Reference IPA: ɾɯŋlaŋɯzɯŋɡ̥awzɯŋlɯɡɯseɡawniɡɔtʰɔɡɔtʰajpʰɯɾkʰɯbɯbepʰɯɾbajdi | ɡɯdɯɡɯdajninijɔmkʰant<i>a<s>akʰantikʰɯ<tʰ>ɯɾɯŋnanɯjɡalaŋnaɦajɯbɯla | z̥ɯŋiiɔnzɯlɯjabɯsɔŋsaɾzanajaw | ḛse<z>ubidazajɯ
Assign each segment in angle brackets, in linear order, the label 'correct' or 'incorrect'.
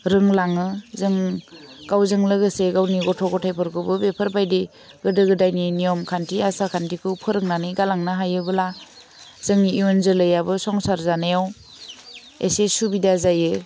correct, correct, incorrect, incorrect

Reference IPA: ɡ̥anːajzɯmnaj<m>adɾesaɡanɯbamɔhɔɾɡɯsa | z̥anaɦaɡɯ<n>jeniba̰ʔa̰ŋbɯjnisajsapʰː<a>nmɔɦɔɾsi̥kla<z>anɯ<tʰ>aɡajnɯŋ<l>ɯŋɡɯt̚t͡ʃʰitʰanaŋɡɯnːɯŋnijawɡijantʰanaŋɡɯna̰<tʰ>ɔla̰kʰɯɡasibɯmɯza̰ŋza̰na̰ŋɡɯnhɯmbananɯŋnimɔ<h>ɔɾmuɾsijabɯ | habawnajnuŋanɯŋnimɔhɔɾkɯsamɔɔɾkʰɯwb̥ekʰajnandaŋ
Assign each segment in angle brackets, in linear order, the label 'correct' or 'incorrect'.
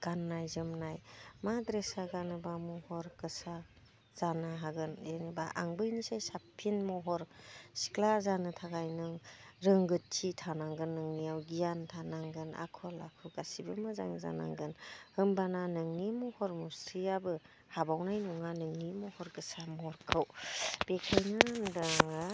correct, correct, incorrect, correct, correct, incorrect, incorrect, correct

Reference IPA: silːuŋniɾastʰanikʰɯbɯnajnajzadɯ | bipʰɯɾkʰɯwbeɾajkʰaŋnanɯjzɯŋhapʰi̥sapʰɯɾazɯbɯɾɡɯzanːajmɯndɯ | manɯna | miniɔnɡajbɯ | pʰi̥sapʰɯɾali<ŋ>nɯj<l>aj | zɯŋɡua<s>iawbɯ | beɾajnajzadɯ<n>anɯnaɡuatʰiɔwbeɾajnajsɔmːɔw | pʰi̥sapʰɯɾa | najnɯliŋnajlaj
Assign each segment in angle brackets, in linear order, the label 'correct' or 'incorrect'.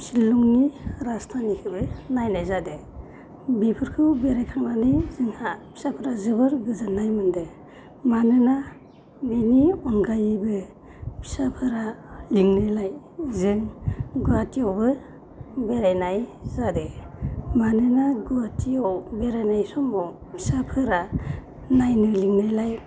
correct, correct, incorrect, incorrect

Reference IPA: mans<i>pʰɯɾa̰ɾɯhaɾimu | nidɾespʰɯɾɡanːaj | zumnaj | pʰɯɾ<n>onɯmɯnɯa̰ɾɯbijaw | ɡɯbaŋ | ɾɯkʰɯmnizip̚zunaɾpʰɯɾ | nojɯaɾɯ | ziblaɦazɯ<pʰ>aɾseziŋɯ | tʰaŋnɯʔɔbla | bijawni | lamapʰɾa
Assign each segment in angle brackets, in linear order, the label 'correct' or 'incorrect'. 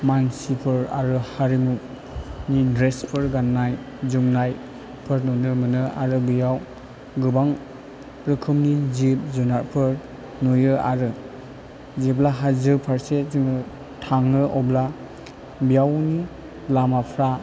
correct, correct, correct

